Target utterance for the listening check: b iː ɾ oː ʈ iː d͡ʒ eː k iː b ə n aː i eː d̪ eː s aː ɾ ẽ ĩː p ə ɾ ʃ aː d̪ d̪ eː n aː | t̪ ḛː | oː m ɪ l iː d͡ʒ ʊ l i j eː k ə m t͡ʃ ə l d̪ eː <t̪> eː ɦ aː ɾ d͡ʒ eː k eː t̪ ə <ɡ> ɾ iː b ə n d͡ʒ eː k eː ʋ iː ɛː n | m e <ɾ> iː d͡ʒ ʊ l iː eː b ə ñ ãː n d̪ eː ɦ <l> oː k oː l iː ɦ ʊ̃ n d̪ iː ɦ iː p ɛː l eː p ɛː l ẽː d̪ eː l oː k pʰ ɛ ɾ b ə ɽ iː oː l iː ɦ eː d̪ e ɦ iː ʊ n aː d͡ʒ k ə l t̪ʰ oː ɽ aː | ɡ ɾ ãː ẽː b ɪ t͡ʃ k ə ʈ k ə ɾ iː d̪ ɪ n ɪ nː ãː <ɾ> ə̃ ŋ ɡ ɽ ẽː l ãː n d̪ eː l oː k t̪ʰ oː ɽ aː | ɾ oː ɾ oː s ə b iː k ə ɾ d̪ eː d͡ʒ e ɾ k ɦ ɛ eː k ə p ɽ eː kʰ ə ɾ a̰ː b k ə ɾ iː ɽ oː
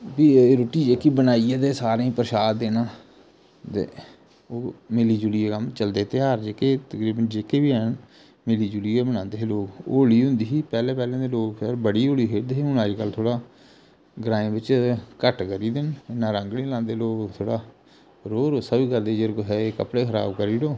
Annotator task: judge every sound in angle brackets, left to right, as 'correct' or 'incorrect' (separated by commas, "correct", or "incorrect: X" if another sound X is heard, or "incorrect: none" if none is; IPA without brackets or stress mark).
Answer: correct, incorrect: k, incorrect: l, correct, correct